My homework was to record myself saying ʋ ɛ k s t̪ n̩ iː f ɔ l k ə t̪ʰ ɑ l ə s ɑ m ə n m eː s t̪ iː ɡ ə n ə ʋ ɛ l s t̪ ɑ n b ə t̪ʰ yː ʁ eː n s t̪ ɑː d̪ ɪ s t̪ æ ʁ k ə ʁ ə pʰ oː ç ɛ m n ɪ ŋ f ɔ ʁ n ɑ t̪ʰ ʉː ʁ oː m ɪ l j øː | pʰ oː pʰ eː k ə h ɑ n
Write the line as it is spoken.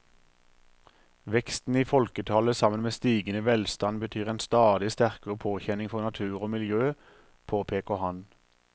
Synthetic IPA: ʋ ɛ k s t̪ n̩ iː f ɔ l k ə t̪ʰ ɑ l ə s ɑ m ə n m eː s t̪ iː ɡ ə n ə ʋ ɛ l s t̪ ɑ n b ə t̪ʰ yː ʁ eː n s t̪ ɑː d̪ ɪ s t̪ æ ʁ k ə ʁ ə pʰ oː ç ɛ n ɪ ŋ f ɔ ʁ n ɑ t̪ʰ ʉː ʁ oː m ɪ l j øː | pʰ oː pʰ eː k ə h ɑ n